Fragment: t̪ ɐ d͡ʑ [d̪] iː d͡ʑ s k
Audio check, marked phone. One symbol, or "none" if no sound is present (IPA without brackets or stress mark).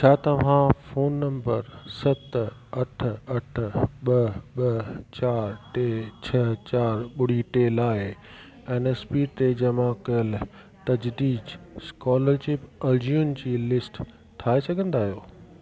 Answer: d̪